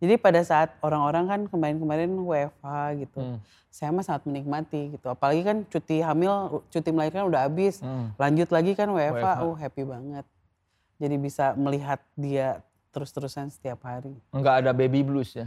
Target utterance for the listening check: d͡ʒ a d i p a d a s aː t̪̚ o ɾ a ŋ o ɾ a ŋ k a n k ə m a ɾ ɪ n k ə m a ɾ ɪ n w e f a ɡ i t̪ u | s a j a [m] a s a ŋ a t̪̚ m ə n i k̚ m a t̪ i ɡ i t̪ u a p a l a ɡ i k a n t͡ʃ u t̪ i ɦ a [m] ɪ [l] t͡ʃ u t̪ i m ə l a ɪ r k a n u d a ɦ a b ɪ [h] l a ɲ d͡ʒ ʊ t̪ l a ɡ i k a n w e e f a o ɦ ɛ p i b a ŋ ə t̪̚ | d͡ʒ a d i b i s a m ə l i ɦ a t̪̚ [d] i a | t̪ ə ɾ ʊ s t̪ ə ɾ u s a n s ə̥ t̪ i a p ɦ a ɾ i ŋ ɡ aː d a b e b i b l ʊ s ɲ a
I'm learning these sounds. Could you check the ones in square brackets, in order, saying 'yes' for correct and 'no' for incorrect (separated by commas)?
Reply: yes, yes, yes, no, yes